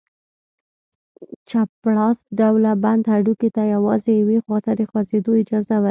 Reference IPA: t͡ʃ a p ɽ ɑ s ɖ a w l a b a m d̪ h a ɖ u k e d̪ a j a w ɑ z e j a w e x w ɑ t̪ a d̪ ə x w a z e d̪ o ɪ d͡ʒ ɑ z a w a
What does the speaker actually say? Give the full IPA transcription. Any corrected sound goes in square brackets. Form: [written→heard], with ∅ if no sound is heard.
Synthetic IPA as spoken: t͡ʃ a p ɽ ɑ s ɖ a w l a b a [m→n] d̪ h a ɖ u k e [d̪→t̪] a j a w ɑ z e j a w e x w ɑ t̪ a d̪ ə x w a z e d̪ o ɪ d͡ʒ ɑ z a w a